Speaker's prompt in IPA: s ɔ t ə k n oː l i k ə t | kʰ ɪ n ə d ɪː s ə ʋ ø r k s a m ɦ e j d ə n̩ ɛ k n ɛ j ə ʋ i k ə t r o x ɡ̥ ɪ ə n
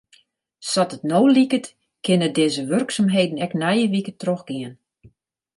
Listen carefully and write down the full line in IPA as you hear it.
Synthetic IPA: s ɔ t ə t n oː l i k ə t | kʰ ɪ n ə d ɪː z ə ʋ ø r k s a m ɦ e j d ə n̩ ɛ k n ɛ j ə ʋ i k ə t r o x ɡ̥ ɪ ə n